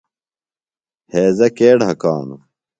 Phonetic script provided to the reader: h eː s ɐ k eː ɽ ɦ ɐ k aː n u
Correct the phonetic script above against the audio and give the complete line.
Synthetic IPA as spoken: h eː z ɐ k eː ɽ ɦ ɐ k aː n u